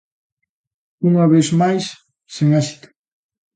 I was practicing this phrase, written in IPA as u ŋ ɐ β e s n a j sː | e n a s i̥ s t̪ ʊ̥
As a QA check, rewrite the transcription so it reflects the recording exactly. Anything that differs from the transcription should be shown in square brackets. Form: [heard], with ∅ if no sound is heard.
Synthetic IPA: u ŋ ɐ β e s [m] a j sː | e [ŋ] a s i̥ [∅] t̪ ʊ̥